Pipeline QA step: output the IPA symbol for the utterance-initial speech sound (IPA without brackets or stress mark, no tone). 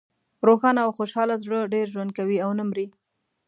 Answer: ɾ